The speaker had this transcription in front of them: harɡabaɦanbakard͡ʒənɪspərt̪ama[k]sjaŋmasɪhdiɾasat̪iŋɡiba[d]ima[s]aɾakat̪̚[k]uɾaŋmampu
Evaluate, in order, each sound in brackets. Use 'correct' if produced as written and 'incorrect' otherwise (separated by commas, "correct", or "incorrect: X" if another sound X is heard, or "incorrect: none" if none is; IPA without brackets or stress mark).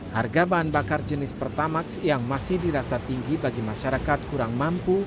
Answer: correct, incorrect: ɡ, incorrect: ʃ, correct